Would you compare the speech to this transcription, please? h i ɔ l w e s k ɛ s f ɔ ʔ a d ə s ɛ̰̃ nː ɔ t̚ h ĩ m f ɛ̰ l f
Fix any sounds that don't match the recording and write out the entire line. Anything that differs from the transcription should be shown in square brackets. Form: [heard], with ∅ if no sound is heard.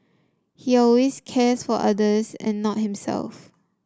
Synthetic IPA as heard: h i ɔ l w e s [kʰ] ɛ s f ɔ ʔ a d ə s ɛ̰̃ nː ɔ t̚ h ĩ m [s] ɛ̰ l f